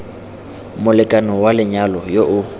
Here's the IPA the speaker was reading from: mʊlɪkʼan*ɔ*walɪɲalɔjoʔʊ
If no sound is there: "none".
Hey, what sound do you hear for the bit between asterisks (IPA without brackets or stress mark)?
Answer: ɔ